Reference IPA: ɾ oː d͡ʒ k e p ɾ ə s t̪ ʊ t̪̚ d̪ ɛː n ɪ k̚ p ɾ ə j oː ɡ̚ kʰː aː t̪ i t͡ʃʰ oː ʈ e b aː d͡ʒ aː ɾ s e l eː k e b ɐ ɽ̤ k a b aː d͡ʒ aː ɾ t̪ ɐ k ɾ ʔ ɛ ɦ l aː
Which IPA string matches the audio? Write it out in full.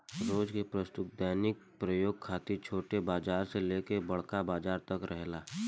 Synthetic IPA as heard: ɾ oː d͡ʒ k e p ɾ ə s t̪ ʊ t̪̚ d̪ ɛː n ɪ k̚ p ɾ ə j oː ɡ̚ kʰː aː t̪ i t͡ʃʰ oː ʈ e b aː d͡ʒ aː ɾ s e l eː k e b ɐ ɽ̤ k a b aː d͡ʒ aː ɾ t̪ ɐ k ɾ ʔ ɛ ɦ l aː